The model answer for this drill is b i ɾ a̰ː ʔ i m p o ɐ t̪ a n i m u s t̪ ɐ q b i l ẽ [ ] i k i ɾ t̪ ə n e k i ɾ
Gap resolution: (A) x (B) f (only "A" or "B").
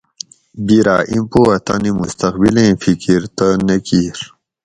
B